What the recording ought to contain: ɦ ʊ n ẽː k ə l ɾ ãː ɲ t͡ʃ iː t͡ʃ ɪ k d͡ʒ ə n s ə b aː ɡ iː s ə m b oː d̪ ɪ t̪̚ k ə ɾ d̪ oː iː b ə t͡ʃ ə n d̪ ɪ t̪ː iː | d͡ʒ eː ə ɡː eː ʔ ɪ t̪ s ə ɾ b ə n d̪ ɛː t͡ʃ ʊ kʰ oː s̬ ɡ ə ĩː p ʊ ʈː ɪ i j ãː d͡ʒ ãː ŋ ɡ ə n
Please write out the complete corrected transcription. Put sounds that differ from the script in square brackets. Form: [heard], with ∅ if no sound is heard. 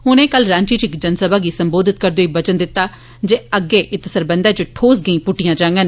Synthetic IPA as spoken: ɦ ʊ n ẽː k ə l ɾ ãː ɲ t͡ʃ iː t͡ʃ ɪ k d͡ʒ ə n s ə b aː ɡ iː s ə m b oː d̪ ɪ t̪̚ k ə ɾ d̪ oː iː b ə t͡ʃ ə n d̪ ɪ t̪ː [aː] | d͡ʒ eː ə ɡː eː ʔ ɪ t̪ s ə ɾ b ə n d̪ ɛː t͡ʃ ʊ [ʈʰ] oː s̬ ɡ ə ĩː p ʊ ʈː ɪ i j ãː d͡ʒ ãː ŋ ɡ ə n